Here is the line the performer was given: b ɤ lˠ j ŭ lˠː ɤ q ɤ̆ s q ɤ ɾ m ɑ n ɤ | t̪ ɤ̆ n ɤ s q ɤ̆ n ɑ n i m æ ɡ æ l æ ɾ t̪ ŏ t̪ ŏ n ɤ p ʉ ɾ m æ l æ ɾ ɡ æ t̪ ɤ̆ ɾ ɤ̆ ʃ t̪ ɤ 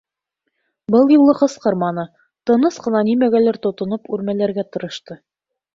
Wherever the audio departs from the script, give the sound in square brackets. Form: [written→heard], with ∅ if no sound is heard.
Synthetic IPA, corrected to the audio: b ɤ lˠ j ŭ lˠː ɤ q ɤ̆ s q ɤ ɾ m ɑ n ɤ | t̪ ɤ̆ n ɤ s q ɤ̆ n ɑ n i m æ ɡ æ l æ ɾ t̪ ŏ t̪ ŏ n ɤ p ʉ ɾ m æ l æ ɾ ɡ æ t̪ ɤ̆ ɾ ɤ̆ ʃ t̪ ɤ